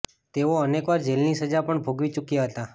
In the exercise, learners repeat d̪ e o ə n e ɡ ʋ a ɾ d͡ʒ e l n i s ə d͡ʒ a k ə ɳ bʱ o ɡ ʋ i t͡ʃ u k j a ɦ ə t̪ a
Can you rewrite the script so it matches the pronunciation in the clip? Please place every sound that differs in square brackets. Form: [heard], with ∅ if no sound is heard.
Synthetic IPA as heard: [t̪] e o ə n e [k] ʋ a ɾ d͡ʒ e l n i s ə d͡ʒ a [p] ə ɳ bʱ o ɡ ʋ i t͡ʃ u k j a ɦ ə t̪ a